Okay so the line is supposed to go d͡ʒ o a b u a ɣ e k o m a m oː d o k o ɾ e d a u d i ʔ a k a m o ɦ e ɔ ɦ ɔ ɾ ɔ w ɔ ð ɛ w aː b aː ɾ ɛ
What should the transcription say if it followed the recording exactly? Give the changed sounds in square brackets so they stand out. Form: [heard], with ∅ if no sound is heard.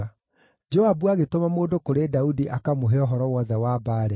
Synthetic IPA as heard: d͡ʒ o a b u a ɣ e [t] o m a m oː d o k o ɾ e d a u d i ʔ a k a m o ɦ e ɔ ɦ ɔ ɾ ɔ w ɔ ð ɛ w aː b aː ɾ ɛ